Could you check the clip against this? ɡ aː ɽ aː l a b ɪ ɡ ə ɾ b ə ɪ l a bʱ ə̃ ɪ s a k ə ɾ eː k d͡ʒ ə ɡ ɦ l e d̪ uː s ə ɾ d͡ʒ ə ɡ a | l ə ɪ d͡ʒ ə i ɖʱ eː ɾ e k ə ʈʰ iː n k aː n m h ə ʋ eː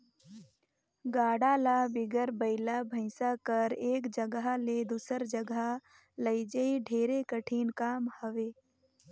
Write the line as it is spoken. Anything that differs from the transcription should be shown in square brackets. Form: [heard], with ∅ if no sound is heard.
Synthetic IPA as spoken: ɡ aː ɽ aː l a b ɪ ɡ ə ɾ b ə ɪ l a bʱ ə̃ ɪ s a k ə ɾ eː k d͡ʒ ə ɡ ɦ l e d̪ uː s ə ɾ d͡ʒ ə ɡ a | l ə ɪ d͡ʒ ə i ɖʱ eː ɾ e k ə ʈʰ iː n k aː [∅] m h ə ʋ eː

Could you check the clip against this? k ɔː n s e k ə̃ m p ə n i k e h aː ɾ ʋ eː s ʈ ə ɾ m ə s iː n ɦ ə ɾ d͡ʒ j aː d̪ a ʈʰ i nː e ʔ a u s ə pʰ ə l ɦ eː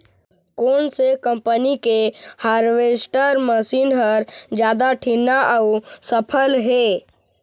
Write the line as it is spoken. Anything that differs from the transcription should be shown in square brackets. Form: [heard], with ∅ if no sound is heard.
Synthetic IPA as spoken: k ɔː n s e k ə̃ m p ə n i k e h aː ɾ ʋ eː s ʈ ə ɾ m ə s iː n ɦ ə ɾ d͡ʒ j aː d̪ a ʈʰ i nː [a] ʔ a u s ə pʰ ə l ɦ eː

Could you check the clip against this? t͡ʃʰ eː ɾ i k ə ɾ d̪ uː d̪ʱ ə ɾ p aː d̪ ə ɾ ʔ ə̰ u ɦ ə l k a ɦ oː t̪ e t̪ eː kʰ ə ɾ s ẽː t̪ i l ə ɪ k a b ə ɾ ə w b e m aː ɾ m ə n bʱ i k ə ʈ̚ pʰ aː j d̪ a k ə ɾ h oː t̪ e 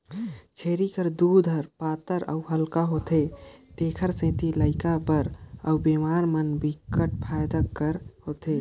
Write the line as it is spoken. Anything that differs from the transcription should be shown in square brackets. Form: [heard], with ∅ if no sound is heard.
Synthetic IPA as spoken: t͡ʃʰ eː ɾ i k ə ɾ d̪ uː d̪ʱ ə ɾ p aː [t̪] ə ɾ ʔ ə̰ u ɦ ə l k a ɦ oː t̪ e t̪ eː kʰ ə ɾ s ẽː t̪ i l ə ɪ k a b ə ɾ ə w b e m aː ɾ m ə n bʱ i k ə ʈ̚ pʰ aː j d̪ a k ə ɾ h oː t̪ e

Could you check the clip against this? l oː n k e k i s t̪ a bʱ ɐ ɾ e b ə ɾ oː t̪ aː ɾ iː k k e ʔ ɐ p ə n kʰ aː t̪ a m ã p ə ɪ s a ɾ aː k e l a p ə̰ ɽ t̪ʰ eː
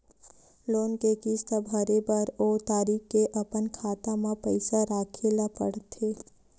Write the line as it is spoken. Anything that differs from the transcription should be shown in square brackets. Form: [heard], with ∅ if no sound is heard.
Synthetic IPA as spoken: l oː n k e k i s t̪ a bʱ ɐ ɾ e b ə ɾ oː t̪ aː ɾ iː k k e ʔ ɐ p ə n kʰ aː t̪ a m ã p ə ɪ s a ɾ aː [kʰ] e l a p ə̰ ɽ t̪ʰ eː

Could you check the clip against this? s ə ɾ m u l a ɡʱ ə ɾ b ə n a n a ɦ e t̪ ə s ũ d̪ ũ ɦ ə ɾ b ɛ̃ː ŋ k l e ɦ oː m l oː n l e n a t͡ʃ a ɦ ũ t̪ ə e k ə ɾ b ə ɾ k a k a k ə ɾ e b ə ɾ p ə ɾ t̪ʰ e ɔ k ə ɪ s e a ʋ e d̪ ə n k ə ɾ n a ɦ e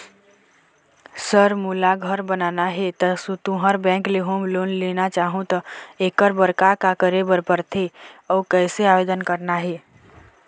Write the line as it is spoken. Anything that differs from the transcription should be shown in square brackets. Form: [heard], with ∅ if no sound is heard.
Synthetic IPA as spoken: s ə ɾ m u l a ɡʱ ə ɾ b ə n a n a ɦ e t̪ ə s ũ [t̪] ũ ɦ ə ɾ b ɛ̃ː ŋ k l e ɦ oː m l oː n l e n a t͡ʃ a ɦ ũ t̪ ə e k ə ɾ b ə ɾ k a k a k ə ɾ e b ə ɾ p ə ɾ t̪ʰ e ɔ k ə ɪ s e a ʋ e d̪ ə n k ə ɾ n a ɦ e

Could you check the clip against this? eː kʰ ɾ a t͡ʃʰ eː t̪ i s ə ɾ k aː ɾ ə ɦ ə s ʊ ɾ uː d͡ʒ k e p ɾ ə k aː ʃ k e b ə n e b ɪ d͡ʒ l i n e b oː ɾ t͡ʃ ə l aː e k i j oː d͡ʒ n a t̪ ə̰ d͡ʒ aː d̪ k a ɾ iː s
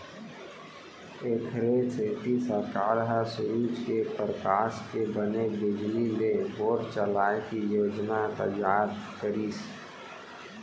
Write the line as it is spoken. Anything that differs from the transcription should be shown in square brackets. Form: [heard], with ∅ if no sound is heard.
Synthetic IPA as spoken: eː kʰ ɾ [e] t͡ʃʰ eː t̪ i s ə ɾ k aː ɾ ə ɦ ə s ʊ ɾ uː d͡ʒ k e p ɾ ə k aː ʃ k e b ə n e b ɪ d͡ʒ l i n e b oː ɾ t͡ʃ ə l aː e k i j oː d͡ʒ n a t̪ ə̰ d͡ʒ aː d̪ k [ə] ɾ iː s

